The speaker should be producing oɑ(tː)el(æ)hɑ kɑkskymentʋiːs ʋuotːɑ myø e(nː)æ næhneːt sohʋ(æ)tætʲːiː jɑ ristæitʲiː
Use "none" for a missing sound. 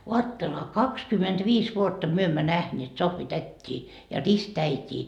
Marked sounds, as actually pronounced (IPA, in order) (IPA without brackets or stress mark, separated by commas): tː, e, mː, i